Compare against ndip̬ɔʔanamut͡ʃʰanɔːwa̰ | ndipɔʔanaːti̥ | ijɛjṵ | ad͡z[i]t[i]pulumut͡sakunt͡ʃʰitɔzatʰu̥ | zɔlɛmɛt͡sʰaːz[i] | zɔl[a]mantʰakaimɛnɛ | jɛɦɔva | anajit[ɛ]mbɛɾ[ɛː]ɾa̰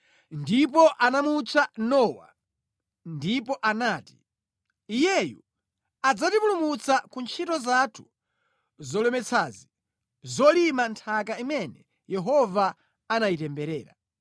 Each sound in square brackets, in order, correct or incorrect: incorrect: a, correct, correct, incorrect: i, correct, correct

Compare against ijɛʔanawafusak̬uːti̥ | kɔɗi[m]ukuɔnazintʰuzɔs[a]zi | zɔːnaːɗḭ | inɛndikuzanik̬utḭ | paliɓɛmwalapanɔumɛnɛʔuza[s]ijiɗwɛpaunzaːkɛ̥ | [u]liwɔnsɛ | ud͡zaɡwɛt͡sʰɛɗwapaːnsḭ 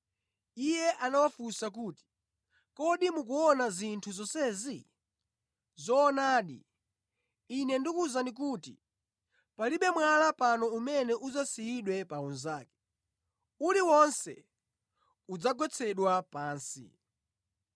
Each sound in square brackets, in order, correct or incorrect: correct, incorrect: ɛ, correct, correct

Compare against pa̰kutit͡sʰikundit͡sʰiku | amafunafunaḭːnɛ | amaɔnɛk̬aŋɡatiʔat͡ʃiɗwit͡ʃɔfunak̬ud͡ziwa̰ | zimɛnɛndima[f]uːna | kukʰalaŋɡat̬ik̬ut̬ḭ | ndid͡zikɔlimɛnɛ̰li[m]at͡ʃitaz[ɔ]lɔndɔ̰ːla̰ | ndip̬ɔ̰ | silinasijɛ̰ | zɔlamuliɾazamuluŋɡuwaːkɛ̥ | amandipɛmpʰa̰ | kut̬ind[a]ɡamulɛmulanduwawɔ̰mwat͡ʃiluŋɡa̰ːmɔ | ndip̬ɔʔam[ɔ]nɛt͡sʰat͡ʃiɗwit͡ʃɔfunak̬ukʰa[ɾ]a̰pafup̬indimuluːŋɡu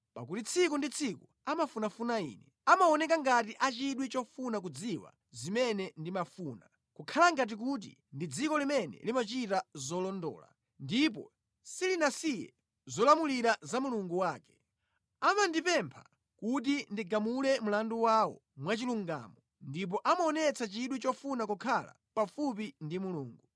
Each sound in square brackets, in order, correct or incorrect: correct, correct, correct, incorrect: i, correct, incorrect: l

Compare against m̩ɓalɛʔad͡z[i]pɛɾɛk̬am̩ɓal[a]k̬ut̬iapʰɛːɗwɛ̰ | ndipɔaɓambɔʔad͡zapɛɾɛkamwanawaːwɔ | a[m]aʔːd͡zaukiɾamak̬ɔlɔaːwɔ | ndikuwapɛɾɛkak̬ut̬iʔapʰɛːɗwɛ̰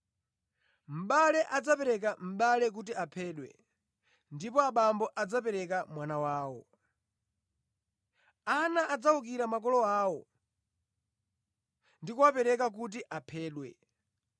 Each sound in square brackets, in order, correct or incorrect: incorrect: a, incorrect: ɛ, incorrect: n

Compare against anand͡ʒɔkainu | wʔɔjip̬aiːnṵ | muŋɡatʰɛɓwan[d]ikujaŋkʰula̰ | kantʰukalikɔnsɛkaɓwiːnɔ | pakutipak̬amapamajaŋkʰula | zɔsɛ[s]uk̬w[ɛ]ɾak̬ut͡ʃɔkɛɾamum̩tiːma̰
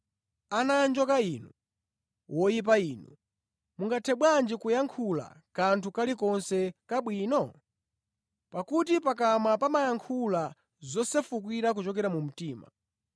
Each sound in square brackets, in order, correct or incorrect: incorrect: d͡ʒ, incorrect: f, incorrect: i

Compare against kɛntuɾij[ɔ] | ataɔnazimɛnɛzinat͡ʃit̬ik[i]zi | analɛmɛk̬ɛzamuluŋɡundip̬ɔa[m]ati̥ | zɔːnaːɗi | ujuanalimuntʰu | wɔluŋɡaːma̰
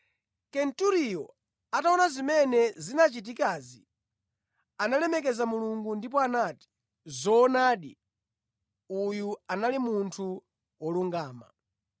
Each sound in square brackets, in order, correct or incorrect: correct, incorrect: a, incorrect: n

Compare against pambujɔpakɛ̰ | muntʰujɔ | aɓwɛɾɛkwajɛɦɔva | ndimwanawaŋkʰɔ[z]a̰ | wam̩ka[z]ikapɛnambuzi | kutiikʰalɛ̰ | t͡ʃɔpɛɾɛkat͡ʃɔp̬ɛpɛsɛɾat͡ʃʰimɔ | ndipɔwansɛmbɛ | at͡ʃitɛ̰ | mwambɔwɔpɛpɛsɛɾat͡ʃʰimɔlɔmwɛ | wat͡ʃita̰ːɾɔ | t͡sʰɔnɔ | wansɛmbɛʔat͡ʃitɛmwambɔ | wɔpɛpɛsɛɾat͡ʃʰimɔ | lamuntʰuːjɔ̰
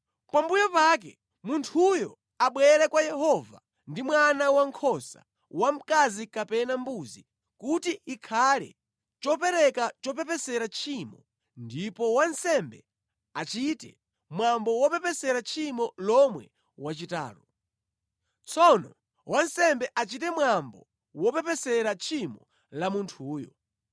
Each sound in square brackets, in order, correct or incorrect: incorrect: s, correct

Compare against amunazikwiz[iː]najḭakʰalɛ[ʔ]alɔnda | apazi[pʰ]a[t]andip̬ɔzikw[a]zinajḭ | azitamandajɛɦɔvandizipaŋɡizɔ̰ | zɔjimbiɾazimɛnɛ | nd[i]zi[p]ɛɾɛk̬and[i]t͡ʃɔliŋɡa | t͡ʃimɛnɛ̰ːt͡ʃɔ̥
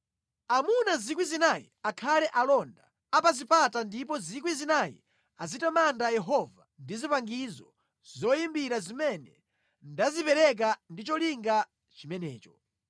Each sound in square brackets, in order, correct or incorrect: incorrect: i, correct, incorrect: p, correct, incorrect: i, incorrect: a, correct, correct

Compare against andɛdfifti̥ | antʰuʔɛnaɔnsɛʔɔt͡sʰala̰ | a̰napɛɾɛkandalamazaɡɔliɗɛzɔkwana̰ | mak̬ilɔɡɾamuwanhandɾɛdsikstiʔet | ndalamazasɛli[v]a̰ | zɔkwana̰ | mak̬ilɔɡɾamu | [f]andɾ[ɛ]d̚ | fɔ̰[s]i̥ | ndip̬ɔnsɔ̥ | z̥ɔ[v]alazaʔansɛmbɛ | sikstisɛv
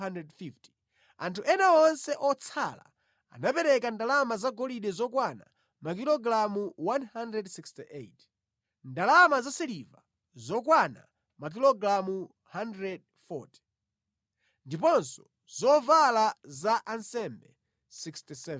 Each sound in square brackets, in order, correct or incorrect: correct, incorrect: h, correct, incorrect: t, correct

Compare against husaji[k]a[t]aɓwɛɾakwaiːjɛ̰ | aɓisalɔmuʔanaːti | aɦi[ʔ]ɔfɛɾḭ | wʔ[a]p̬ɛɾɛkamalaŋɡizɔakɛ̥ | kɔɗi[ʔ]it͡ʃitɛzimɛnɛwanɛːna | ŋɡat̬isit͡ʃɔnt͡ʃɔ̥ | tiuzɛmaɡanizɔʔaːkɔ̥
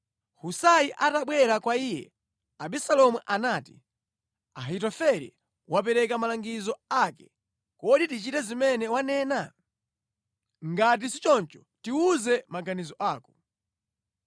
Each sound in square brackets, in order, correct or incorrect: incorrect: ʔ, correct, incorrect: t, correct, incorrect: t

